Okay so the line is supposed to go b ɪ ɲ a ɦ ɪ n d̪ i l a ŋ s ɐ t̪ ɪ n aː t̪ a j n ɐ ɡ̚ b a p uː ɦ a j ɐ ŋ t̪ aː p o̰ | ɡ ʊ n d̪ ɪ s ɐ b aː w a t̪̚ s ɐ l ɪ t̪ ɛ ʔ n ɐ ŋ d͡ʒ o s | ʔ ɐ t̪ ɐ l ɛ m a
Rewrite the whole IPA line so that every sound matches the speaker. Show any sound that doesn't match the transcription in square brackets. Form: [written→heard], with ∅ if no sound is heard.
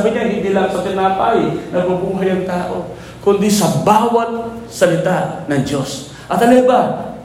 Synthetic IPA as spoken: b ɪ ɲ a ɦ ɪ n d̪ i l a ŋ s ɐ t̪ ɪ n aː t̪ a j n ɐ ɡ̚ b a [p→b] uː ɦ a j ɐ ŋ t̪ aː [p→ʔ] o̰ | [ɡ→k] ʊ n d̪ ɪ s ɐ b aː w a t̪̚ s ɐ l ɪ t̪ [ɛ→a] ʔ n ɐ ŋ d͡ʒ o s | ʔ ɐ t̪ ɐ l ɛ [m→b] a